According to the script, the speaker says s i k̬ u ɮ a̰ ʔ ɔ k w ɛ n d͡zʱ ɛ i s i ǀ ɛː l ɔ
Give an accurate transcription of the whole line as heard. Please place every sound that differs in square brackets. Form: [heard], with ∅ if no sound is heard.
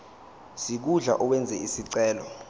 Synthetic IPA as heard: s i k̬ u ɮ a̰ ʔ ɔ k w ɛ n d͡zʱ ɛ i s i ǀ ɛː l ɔ